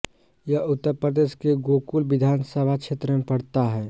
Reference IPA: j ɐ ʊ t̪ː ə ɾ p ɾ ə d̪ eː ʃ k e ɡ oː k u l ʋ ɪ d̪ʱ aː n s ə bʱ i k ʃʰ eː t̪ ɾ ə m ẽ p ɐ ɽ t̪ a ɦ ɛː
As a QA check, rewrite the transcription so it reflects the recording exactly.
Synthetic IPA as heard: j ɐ ʊ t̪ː ə ɾ p ɾ ə d̪ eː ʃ k e ɡ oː k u l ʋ ɪ d̪ʱ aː n s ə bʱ a k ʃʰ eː t̪ ɾ ə m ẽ p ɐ ɽ t̪ a ɦ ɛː